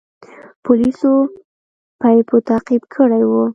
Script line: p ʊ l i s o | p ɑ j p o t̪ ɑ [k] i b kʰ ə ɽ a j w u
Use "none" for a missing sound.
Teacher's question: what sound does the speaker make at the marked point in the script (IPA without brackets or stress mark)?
q